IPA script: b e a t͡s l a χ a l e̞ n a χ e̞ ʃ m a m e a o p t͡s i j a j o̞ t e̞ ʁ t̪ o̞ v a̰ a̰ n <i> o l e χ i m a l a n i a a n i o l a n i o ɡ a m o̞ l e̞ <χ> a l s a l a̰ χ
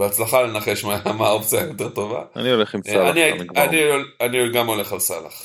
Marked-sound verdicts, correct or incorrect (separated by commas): correct, correct